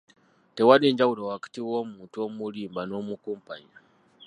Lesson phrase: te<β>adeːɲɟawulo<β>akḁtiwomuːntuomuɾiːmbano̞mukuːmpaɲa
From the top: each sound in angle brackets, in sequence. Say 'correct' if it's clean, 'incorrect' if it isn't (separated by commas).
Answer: incorrect, incorrect